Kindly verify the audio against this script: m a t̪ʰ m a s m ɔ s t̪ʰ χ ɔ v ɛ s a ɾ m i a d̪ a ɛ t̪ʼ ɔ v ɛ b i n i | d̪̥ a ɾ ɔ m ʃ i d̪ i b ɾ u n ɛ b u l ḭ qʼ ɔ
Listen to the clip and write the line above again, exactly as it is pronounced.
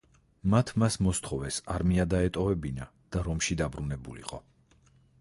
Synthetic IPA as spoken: m a t̪ʰ m a s m ɔ s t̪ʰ χ ɔ v ɛ s a ɾ m i a d̪ a ɛ t̪ʼ ɔ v ɛ b i n a | d̪̥ a ɾ ɔ m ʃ i d̪ a b ɾ u n ɛ b u l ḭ qʼ ɔ

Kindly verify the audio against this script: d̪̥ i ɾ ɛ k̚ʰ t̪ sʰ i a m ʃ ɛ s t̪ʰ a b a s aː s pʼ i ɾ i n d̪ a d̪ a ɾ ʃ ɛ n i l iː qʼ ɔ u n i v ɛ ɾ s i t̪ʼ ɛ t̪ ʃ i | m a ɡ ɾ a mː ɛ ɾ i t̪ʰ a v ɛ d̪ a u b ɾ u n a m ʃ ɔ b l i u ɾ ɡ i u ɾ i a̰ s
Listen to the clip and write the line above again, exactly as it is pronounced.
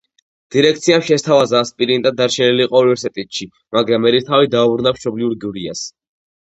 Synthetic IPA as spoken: d̪̥ i ɾ ɛ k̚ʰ t̪ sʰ i a m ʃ ɛ s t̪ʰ a v a z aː s pʼ i ɾ i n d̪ a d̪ a ɾ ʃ ɛ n i l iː qʼ ɔ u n i v ɛ ɾ s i t̪ʼ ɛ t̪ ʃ i | m a ɡ ɾ a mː ɛ ɾ i t̪ʰ a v i d̪ a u b ɾ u n a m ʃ ɔ b l i u ɾ ɡ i u ɾ i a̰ s

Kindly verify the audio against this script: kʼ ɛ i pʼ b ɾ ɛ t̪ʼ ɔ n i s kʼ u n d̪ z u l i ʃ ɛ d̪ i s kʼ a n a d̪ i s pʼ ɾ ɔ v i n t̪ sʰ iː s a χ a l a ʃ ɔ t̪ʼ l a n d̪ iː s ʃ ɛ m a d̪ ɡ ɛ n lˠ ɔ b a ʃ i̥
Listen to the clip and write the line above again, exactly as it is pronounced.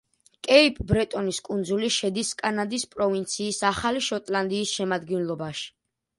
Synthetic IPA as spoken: kʼ ɛ i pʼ b ɾ ɛ t̪ʼ ɔ n i s kʼ u n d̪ z u l i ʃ ɛ d̪ i s kʼ a n a d̪ i s pʼ ɾ ɔ v i n t̪ sʰ iː s a χ a l i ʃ ɔ t̪ʼ l a n d̪ iː s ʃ ɛ m a d̪ ɡ ɛ n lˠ ɔ b a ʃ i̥

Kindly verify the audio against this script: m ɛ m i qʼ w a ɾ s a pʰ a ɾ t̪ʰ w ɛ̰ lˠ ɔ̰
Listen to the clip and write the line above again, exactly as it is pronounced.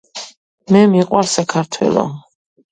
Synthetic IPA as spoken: m ɛ m i qʼ w a ɾ s a kʰ a ɾ t̪ʰ w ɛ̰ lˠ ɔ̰

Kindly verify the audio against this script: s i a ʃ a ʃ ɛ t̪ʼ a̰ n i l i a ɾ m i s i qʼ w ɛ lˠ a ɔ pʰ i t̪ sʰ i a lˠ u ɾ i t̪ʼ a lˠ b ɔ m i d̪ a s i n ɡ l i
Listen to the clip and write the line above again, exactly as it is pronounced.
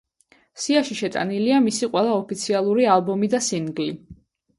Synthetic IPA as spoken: s i a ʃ i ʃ ɛ t̪ʼ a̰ n i l i a m i s i qʼ w ɛ lˠ a ɔ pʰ i t̪ sʰ i a lˠ u ɾ i a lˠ b ɔ m i d̪ a s i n ɡ l i

